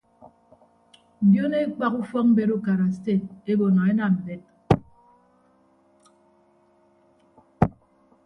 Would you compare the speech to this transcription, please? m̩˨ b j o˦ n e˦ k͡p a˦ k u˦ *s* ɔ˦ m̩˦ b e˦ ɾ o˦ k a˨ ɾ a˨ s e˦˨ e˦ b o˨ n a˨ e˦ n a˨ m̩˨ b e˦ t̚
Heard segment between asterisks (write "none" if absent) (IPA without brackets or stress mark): f